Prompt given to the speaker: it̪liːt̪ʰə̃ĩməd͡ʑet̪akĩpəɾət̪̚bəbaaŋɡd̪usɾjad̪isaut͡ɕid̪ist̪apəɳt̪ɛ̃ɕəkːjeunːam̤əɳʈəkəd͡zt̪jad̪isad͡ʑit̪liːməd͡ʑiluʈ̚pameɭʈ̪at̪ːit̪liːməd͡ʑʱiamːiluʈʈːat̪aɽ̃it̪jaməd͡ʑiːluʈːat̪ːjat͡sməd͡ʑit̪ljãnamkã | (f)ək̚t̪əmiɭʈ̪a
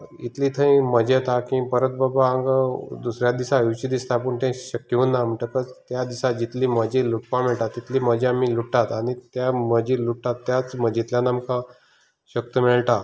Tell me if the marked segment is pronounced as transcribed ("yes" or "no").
no